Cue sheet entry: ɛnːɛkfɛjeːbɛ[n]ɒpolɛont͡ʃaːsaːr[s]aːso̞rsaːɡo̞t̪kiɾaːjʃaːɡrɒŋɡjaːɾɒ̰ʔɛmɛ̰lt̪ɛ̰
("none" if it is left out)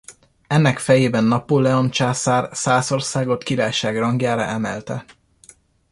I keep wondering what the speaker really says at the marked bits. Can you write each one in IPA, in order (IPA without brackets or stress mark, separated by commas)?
nː, s